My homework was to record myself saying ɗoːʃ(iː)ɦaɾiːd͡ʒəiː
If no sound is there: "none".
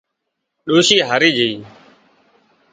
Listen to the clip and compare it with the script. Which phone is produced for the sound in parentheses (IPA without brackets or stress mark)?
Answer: iː